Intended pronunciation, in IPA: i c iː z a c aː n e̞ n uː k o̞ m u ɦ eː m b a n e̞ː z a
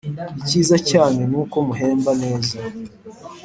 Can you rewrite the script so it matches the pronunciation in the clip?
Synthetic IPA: i c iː z a c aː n e̞ n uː k o̞ m u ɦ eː m b a n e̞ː z a